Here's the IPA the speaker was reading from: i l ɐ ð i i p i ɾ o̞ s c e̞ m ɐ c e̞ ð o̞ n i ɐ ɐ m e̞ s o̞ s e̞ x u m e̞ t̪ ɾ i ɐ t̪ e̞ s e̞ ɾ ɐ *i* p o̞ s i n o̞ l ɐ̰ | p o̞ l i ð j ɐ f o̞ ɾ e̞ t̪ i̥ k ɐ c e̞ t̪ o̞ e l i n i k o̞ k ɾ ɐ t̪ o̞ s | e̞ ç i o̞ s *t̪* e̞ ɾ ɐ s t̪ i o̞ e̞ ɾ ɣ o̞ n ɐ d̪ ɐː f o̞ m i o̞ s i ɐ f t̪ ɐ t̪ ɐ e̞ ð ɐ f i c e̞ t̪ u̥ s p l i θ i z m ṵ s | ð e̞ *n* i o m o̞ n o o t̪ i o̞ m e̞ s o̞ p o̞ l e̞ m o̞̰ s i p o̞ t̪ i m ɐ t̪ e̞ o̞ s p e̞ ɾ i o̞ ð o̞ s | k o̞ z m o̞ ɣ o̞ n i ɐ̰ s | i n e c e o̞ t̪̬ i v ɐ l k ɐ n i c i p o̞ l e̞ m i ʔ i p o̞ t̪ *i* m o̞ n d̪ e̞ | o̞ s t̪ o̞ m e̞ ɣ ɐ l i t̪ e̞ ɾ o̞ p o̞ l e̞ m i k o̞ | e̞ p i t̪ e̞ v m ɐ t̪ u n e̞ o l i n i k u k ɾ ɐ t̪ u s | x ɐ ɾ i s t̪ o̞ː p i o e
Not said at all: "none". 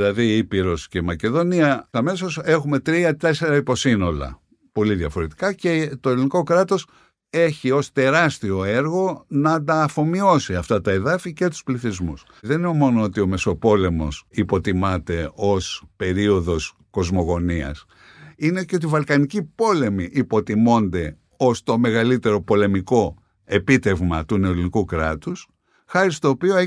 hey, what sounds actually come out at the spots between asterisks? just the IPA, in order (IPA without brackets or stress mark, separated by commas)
i, t̪, n, i